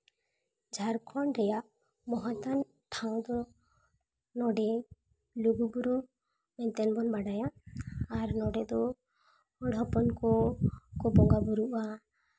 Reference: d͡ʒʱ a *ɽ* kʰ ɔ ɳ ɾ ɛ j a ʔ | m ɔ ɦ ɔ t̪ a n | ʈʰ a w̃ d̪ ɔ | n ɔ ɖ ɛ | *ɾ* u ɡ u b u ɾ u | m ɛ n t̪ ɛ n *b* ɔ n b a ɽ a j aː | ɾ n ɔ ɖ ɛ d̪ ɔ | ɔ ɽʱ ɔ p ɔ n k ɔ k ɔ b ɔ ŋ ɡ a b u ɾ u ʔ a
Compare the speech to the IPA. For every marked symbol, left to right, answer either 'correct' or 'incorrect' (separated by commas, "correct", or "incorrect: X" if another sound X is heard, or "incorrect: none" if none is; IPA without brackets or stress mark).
incorrect: ɾ, incorrect: l, correct